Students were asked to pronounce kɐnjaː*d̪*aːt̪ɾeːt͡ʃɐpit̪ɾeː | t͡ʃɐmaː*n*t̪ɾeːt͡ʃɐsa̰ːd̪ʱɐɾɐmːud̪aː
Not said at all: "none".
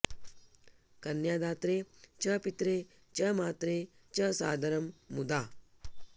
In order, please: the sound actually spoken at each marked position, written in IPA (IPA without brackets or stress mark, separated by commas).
d̪, none